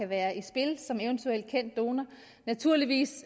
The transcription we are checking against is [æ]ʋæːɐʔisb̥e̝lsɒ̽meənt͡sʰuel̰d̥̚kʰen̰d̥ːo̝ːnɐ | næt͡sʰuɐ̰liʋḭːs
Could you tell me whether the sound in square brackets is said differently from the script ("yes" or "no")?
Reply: no